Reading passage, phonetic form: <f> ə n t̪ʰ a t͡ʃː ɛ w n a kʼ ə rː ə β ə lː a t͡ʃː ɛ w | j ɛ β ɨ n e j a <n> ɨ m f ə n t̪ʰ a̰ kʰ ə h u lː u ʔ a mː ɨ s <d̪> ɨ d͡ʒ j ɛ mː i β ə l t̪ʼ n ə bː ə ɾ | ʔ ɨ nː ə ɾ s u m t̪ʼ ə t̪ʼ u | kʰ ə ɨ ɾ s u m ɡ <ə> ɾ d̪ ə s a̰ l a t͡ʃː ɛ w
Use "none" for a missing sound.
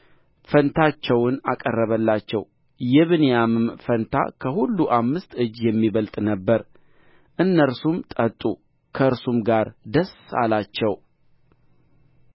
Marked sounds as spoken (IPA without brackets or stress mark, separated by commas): f, m, t̪, a